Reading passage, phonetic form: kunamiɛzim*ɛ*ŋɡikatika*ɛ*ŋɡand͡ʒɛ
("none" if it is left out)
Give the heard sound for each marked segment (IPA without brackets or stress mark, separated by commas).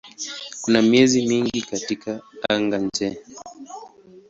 i, a